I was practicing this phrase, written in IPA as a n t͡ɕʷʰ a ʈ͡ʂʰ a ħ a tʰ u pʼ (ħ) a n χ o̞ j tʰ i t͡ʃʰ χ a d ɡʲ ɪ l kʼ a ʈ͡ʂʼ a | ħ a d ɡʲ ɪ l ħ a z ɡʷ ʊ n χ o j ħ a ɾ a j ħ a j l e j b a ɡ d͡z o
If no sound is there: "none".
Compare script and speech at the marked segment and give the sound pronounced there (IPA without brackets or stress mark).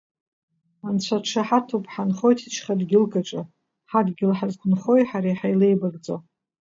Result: ħ